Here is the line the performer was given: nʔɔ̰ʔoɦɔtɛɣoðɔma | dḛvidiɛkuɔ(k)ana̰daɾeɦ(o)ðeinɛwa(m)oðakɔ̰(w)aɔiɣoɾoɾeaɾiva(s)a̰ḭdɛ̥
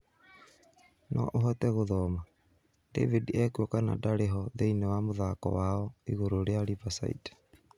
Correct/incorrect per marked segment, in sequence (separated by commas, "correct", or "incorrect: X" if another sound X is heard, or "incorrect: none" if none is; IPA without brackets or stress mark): correct, incorrect: ɔ, correct, correct, correct